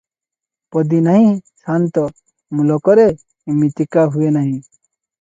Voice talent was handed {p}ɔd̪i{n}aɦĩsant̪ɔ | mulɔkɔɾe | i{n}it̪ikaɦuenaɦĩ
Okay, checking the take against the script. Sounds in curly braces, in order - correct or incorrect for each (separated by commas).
correct, correct, incorrect